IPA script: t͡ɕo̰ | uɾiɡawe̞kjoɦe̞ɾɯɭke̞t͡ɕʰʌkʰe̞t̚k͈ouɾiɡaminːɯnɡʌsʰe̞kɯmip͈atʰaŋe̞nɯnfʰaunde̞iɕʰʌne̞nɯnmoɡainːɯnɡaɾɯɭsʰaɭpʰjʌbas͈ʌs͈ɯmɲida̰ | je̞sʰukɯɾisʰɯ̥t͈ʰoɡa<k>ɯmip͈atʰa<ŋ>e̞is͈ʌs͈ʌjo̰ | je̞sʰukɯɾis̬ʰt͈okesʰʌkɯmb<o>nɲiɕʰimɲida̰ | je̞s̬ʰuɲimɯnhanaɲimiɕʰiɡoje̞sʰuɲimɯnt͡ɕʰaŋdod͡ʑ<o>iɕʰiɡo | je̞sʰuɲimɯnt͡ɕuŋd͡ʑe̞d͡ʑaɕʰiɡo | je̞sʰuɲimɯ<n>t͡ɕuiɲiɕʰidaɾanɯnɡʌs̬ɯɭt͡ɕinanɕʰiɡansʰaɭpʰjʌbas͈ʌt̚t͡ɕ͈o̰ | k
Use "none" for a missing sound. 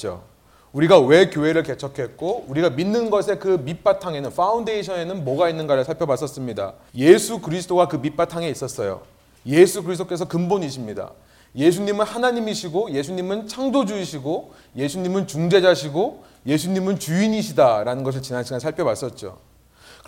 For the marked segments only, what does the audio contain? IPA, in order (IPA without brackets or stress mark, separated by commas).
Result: k, ŋ, o, u, n